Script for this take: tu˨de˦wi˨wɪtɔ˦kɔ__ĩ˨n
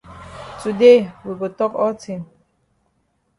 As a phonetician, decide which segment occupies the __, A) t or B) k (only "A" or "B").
A